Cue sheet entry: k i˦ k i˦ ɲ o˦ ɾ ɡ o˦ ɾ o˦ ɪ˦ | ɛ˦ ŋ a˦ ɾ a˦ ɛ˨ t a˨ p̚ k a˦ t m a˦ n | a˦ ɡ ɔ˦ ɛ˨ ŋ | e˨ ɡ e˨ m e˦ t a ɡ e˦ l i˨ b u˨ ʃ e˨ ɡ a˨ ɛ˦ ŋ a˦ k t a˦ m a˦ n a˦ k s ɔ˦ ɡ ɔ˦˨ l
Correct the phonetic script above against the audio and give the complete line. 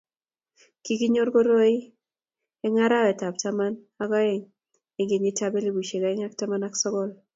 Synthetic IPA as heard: k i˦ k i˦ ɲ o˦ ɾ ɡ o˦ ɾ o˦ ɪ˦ | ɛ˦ ŋ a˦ ɾ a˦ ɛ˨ t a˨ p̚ t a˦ m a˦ n | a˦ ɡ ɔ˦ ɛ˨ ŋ | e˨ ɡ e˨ ɲ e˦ t a b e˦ l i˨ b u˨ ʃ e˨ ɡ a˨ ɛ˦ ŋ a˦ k t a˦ m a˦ n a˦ k s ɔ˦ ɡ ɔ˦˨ l